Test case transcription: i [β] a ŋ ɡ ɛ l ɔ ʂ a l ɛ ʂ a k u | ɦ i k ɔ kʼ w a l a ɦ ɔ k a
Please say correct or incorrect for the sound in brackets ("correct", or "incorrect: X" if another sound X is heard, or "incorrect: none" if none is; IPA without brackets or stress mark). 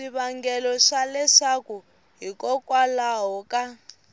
correct